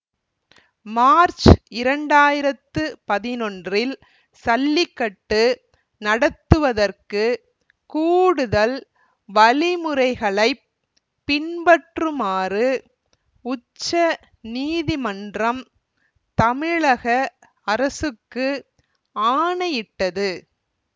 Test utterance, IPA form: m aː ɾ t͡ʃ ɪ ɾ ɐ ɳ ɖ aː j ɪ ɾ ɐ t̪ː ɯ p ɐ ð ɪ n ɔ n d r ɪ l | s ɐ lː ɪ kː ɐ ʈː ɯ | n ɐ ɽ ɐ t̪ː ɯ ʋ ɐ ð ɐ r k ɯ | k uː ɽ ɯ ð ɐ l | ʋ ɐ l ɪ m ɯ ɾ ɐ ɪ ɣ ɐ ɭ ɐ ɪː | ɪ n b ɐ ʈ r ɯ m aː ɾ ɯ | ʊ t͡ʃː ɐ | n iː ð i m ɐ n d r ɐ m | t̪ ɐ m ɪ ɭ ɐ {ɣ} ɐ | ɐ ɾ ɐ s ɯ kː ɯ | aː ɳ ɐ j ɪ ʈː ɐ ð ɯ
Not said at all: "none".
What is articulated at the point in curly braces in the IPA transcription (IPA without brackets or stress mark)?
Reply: ɣ